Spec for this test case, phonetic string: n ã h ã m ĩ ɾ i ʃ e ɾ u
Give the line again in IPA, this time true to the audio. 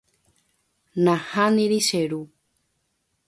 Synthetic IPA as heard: n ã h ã n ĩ ɾ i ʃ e ɾ u